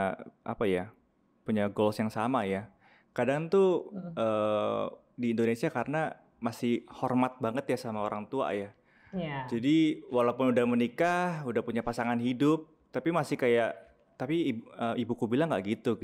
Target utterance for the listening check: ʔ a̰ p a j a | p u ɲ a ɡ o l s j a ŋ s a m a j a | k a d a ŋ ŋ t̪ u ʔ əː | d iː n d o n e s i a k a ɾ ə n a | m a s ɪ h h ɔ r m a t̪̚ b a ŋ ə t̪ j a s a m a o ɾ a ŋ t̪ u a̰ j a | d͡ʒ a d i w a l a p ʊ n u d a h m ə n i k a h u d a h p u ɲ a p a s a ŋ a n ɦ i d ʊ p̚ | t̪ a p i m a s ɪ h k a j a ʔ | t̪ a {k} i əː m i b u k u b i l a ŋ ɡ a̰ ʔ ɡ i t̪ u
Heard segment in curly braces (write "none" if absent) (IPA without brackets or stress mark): p